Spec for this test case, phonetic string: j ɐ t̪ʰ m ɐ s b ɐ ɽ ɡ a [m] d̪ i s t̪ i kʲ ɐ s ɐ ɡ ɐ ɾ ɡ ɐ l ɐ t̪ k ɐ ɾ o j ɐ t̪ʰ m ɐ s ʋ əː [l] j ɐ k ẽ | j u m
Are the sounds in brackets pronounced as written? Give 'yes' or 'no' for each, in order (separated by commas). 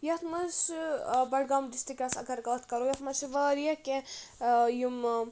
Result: yes, no